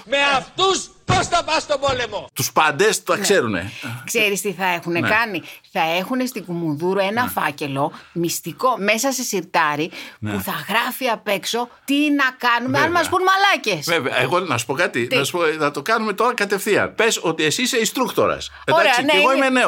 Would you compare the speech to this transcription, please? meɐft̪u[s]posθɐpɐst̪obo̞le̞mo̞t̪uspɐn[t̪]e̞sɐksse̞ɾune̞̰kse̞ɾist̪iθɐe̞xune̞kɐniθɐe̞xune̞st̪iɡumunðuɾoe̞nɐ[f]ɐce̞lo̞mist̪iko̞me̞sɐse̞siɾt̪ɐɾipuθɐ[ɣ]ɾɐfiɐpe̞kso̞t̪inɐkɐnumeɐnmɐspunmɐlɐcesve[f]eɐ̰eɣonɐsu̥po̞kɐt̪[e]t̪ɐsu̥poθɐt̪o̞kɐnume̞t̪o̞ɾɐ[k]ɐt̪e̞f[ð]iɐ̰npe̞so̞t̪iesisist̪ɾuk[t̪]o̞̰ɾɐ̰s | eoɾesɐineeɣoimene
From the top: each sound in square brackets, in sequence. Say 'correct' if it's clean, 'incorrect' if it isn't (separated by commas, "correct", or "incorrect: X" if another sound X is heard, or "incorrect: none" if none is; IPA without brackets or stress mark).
correct, incorrect: d̪, correct, correct, incorrect: v, incorrect: i, correct, incorrect: θ, correct